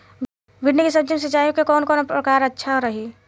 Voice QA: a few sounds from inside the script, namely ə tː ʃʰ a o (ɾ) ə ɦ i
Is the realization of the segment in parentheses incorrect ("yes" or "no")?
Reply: no